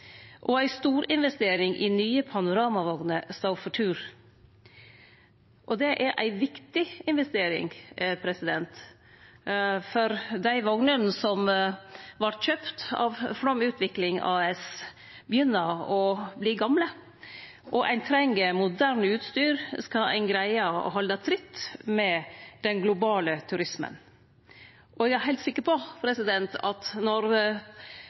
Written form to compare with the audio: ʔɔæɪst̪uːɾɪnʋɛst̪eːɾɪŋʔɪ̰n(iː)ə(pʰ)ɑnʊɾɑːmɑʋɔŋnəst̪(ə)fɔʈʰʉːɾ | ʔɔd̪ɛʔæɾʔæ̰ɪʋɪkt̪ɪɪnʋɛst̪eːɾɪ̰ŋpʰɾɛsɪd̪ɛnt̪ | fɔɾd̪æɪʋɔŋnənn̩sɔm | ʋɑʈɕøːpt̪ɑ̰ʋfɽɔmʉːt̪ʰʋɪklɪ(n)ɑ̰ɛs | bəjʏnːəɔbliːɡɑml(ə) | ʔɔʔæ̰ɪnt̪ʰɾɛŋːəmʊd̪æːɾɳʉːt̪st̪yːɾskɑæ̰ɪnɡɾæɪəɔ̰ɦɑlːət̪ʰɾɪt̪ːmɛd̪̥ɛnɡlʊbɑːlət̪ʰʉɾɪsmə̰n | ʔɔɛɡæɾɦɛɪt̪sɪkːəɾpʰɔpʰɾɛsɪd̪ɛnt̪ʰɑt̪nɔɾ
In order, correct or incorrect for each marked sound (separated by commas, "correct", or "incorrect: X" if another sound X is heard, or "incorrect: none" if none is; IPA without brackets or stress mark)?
incorrect: yː, correct, incorrect: ɑ, incorrect: ŋ, correct